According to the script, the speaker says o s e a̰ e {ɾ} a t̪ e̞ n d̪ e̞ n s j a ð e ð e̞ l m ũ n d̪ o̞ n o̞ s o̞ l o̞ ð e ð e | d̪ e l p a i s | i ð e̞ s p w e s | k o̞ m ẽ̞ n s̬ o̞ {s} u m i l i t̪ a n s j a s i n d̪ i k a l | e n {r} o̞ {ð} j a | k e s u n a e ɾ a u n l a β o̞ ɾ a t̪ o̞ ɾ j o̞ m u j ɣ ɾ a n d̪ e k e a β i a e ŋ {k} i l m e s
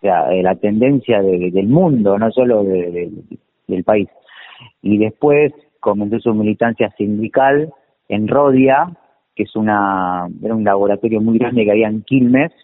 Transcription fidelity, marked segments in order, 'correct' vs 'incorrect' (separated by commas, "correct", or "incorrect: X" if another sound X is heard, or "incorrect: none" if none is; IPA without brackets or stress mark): incorrect: l, correct, correct, correct, correct